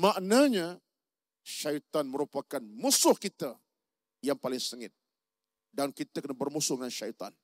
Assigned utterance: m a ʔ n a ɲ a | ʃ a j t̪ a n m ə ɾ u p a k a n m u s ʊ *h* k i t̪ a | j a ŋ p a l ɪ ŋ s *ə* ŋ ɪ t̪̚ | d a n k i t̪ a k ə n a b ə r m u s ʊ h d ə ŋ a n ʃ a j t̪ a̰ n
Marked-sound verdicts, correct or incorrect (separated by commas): correct, correct